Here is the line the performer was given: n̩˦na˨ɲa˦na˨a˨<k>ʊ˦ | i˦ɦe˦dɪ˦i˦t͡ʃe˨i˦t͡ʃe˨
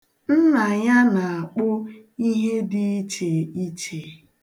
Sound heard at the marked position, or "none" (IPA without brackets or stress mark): k͡p